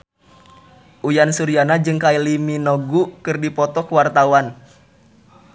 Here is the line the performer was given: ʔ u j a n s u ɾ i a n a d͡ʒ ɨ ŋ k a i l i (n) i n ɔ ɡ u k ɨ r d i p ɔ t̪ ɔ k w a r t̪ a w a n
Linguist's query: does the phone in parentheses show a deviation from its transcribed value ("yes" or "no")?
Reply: yes